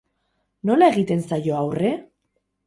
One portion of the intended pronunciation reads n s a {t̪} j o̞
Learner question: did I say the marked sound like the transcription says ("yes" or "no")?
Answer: no